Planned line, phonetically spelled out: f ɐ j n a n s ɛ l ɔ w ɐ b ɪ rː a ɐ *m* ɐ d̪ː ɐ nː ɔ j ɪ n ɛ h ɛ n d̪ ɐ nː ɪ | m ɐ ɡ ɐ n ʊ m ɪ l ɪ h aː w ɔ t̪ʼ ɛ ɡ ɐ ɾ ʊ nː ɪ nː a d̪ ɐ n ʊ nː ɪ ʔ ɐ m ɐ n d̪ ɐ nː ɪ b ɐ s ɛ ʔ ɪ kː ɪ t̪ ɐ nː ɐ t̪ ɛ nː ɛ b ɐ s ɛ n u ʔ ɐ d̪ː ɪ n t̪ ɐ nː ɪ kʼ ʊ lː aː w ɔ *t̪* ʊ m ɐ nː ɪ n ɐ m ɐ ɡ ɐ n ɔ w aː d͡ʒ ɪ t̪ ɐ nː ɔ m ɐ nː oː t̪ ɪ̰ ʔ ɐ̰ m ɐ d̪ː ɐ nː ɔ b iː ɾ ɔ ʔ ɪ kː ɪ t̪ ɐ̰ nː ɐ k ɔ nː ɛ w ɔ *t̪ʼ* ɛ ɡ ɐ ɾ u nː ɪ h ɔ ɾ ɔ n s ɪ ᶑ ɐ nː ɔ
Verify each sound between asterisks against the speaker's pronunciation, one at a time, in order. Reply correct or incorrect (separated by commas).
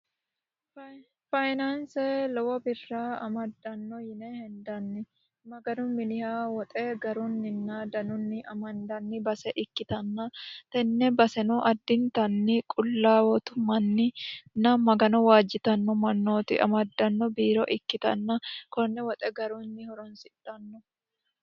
correct, correct, correct